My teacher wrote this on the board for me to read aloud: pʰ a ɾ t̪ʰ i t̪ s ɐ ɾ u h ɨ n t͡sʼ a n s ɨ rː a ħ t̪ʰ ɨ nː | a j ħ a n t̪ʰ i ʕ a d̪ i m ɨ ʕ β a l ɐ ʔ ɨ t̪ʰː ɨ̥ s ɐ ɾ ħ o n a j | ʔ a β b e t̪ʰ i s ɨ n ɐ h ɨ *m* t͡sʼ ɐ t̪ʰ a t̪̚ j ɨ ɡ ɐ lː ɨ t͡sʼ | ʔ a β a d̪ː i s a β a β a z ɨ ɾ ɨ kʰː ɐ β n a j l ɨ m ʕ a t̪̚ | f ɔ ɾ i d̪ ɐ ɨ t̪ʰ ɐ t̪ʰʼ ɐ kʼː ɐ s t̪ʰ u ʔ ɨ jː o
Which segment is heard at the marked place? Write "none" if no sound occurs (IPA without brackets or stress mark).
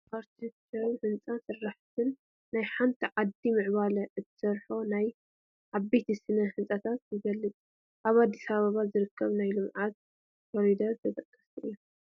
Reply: n